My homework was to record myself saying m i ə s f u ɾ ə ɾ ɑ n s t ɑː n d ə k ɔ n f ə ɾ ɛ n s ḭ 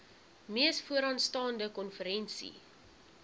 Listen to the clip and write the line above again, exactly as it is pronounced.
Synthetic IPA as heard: m i ə s f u ə ɾ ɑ n s t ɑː n d ə k ɔ n f ə ɾ ɛ n s ḭ